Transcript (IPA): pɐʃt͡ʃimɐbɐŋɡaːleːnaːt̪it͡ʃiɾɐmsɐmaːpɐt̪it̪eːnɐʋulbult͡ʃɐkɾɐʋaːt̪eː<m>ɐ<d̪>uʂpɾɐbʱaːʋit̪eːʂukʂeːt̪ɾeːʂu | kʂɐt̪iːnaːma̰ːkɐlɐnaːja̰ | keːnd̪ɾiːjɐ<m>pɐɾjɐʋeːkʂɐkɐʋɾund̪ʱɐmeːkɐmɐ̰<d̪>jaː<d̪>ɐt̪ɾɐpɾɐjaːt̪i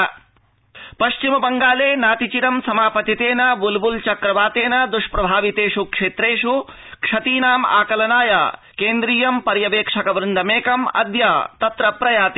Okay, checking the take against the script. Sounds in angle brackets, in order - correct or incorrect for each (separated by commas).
incorrect, correct, correct, correct, incorrect